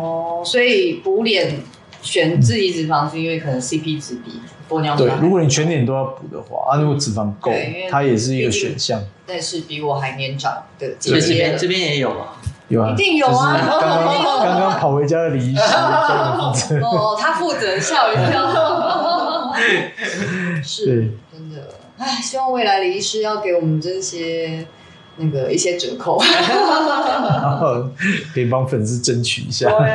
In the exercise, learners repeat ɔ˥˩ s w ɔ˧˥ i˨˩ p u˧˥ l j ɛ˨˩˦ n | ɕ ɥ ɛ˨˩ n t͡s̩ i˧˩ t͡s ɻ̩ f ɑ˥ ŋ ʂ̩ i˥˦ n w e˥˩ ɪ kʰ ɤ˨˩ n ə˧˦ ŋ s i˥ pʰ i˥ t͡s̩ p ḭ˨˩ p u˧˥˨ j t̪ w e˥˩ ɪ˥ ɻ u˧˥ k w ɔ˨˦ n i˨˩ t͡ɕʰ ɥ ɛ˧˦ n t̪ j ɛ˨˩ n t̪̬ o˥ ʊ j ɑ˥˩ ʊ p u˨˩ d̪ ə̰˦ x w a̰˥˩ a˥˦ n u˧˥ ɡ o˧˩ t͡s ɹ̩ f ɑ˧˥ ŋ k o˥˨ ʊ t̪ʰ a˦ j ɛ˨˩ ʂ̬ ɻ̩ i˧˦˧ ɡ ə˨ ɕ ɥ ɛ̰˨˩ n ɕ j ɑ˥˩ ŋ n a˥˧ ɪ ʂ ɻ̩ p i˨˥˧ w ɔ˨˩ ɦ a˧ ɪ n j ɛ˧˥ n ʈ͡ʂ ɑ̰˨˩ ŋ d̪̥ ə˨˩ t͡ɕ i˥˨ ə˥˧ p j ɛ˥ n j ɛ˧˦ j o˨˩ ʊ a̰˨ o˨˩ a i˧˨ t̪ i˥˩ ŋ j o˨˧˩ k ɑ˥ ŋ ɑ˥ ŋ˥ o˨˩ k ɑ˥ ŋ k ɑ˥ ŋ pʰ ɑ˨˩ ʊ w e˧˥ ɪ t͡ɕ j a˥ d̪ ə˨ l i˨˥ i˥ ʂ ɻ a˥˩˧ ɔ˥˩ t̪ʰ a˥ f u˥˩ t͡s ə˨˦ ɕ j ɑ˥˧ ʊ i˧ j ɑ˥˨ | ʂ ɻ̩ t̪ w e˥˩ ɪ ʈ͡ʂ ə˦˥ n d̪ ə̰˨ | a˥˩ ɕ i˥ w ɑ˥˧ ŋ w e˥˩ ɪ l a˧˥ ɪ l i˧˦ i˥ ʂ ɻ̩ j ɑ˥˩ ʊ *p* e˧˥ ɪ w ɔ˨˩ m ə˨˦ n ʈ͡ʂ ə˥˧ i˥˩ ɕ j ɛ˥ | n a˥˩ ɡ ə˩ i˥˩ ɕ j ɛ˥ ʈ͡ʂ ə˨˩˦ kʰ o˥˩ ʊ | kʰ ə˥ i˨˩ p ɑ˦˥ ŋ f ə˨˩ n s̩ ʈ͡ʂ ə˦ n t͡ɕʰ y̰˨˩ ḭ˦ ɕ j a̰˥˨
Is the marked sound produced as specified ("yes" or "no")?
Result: no